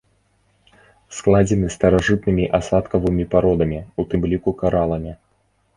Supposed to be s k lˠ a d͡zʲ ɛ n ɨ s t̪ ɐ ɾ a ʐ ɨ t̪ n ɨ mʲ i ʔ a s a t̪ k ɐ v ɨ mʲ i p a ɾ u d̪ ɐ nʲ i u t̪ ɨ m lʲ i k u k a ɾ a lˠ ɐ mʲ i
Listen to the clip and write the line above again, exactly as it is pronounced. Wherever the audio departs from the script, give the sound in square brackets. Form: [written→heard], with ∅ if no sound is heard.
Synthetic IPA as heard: s k lˠ a d͡zʲ ɛ n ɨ s t̪ ɐ ɾ a ʐ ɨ t̪ n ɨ mʲ i ʔ a s a t̪ k ɐ v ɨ mʲ i p a ɾ [u→ɔ] d̪ ɐ [nʲ→mʲ] i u t̪ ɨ m lʲ i k u k a ɾ a lˠ ɐ mʲ i